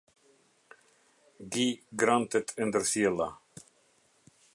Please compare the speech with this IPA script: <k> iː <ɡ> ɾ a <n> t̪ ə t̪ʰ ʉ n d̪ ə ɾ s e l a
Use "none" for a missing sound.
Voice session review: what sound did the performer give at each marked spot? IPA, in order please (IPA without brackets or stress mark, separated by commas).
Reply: ɡ, ɡ, n